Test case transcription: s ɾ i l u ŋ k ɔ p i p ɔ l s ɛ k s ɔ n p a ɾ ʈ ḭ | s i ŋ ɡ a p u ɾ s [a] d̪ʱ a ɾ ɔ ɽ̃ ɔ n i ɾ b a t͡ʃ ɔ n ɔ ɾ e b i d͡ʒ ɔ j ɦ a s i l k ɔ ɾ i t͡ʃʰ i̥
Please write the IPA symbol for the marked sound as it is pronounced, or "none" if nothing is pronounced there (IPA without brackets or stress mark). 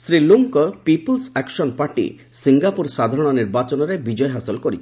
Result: a